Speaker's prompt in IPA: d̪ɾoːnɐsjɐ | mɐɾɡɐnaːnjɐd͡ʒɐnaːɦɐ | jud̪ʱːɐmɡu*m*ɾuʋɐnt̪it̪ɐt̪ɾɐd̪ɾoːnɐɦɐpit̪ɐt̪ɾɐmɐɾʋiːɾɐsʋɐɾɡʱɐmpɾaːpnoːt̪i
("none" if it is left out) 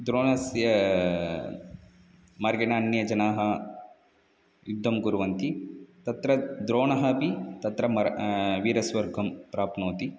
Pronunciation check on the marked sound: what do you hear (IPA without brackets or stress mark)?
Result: none